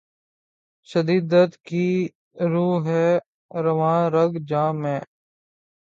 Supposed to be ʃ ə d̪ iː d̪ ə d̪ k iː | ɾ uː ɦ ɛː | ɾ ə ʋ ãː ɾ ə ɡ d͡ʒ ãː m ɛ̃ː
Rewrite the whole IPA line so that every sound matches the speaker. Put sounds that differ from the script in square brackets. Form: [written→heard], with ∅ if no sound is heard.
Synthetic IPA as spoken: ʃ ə d̪ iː d̪ ə [d̪→t̪] k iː | ɾ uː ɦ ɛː | ɾ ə ʋ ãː ɾ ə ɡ d͡ʒ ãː m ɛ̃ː